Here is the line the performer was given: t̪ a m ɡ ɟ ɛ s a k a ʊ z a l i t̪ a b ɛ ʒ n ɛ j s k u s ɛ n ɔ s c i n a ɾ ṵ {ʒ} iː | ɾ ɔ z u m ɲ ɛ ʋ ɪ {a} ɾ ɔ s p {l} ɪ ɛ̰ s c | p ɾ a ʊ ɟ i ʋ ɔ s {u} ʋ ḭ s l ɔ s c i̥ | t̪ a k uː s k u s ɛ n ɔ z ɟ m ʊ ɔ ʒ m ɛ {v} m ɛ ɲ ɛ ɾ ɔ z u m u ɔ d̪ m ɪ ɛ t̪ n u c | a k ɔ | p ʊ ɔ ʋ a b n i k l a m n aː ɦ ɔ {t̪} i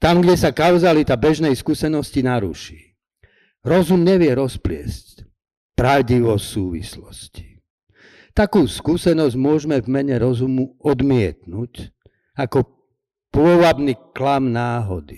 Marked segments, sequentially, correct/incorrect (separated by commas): incorrect, incorrect, correct, incorrect, correct, incorrect